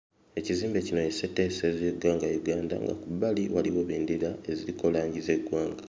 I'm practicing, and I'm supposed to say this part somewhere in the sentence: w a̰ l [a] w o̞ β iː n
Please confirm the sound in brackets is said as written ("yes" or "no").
no